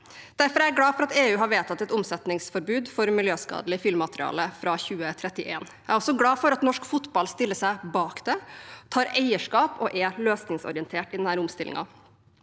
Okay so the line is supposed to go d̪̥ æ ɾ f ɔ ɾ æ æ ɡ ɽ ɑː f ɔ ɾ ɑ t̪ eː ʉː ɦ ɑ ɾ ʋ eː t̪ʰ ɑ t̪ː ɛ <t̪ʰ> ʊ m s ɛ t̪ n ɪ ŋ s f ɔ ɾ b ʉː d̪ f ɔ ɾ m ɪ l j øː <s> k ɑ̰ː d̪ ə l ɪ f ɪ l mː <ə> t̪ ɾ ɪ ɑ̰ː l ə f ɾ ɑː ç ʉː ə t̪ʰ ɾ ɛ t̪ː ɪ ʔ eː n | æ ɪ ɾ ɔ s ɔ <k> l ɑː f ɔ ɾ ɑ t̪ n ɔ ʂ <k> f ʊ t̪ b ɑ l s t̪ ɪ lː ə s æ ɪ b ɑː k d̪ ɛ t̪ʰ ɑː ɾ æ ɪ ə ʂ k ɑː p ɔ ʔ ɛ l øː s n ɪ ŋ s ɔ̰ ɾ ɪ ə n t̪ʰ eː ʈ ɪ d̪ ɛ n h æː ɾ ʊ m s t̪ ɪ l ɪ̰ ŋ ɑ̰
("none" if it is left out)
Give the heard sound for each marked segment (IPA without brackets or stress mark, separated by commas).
t̪, s, ɑ, ɡ, k